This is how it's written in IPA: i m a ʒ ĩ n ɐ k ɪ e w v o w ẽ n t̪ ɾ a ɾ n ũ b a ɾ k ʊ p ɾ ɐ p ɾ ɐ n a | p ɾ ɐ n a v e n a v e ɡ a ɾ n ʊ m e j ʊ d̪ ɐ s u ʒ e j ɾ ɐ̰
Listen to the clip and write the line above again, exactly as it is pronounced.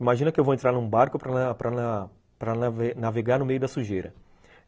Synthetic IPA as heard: i m a ʒ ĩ n ɐ k ɪ e w v o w ẽ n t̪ ɾ a ɾ n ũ b a ɾ k ʊ p ɾ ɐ p ɾ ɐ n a | p ɾ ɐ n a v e n a v e ɡ a ɾ n ʊ m e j ʊ d̪ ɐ s u ʒ e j ɾ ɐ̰